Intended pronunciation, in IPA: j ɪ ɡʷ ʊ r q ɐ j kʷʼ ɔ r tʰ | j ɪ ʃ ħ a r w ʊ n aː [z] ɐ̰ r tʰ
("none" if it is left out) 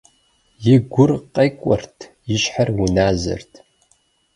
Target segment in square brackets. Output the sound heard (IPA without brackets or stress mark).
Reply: z